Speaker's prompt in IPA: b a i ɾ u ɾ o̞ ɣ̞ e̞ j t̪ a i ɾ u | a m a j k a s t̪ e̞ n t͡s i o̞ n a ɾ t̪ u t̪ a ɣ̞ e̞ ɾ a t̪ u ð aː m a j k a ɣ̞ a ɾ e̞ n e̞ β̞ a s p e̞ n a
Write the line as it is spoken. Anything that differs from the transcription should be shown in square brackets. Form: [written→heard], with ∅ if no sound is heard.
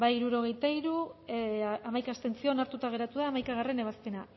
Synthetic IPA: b a i ɾ u ɾ o̞ ɣ̞ e̞ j t̪ a i ɾ u | a m a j k a s t̪ e̞ n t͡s i o̞ n a ɾ t̪ u t̪ a ɣ̞ e̞ ɾ a t̪ u ð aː m a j k a ɣ̞ a [ɾ→r] e̞ n e̞ β̞ a s p e̞ n a